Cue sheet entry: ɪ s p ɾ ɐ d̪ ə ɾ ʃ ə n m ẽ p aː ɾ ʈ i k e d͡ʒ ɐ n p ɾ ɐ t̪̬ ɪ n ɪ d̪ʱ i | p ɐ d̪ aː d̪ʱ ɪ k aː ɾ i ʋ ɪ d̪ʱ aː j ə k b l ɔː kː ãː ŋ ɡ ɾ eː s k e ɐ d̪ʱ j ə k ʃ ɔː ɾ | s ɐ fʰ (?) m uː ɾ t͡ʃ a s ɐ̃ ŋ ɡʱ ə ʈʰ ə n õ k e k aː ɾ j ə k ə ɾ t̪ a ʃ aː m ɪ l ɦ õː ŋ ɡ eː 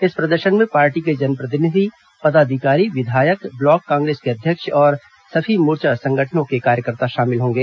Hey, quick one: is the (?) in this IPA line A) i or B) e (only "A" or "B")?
A